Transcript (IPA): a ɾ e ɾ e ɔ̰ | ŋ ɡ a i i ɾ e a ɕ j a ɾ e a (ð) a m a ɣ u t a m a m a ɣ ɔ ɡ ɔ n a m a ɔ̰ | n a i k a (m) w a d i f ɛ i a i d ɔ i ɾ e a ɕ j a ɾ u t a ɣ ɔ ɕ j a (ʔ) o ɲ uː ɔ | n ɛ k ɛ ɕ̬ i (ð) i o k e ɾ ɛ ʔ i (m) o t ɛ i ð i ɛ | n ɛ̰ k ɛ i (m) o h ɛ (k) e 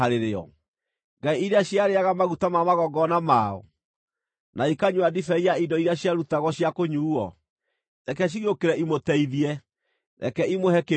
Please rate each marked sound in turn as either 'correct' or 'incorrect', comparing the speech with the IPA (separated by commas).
incorrect, incorrect, incorrect, incorrect, correct, correct, correct